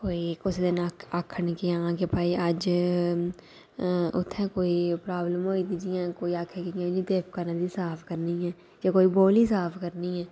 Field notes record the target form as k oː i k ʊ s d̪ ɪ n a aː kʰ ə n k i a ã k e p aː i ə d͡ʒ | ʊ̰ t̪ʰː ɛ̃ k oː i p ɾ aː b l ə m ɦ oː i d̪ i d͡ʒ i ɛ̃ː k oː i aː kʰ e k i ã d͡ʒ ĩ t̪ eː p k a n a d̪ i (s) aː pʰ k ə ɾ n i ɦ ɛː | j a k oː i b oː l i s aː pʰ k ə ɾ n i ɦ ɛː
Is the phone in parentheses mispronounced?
no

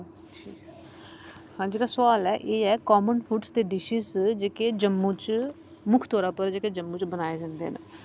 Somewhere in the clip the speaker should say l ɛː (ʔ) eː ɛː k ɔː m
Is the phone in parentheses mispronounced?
no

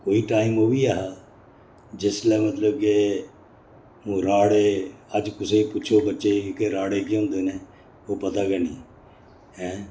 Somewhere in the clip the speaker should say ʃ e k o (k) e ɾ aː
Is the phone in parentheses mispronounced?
no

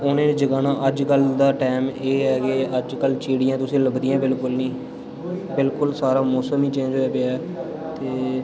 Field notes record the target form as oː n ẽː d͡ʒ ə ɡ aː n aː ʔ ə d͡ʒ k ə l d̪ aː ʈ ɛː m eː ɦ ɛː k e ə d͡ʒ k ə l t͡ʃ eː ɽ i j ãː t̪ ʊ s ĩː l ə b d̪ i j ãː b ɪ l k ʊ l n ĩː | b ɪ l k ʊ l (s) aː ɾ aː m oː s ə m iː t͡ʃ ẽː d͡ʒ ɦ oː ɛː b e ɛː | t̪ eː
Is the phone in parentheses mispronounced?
no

